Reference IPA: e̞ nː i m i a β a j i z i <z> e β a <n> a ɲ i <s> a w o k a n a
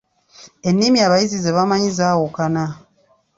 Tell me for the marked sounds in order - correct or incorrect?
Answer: correct, incorrect, incorrect

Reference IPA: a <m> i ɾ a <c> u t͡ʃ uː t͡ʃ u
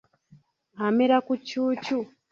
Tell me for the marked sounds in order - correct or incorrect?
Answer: correct, incorrect

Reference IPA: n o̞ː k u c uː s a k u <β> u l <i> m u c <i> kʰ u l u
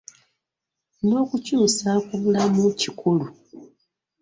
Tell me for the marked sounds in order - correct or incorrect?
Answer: correct, incorrect, correct

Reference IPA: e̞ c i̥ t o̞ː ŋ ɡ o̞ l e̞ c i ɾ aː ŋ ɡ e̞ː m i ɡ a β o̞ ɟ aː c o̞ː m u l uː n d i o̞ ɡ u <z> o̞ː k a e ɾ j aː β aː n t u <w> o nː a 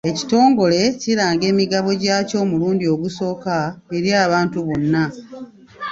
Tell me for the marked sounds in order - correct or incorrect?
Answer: incorrect, incorrect

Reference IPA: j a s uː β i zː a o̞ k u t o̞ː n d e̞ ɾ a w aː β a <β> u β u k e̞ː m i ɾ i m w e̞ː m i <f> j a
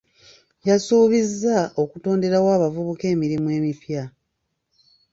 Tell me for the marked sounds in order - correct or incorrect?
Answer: incorrect, correct

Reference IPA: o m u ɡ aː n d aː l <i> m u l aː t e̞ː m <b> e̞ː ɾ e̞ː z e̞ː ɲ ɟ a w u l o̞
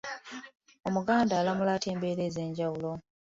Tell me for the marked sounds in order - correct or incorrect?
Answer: incorrect, correct

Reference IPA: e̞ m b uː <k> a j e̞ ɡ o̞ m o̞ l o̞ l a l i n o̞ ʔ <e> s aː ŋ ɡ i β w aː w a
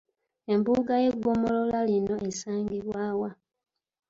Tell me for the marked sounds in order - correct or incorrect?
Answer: incorrect, correct

